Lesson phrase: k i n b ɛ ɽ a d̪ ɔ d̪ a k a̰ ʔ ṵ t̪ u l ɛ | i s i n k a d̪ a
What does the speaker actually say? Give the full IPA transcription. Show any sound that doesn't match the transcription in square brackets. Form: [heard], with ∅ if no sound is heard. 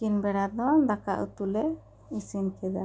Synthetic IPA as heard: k i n b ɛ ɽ a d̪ ɔ d̪ a k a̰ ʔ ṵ t̪ u l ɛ | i s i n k [ɛ] d̪ a